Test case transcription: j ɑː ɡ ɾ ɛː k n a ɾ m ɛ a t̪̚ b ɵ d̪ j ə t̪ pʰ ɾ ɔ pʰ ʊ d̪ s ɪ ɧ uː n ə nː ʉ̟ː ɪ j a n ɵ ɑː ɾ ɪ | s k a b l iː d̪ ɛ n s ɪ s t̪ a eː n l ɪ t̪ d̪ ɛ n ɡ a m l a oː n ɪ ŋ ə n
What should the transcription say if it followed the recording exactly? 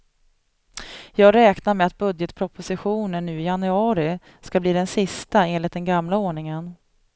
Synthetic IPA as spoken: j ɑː ɡ ɾ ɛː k n a ɾ m ɛ a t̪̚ b ɵ d̪ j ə t̪ pʰ ɾ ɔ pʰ ʊ s ɪ ɧ uː n ə nː ʉ̟ː ɪ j a n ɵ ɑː ɾ ɪ | s k a b l iː d̪ ɛ n s ɪ s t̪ a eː n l ɪ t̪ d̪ ɛ n ɡ a m l a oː ɳ ɪ ŋ ə n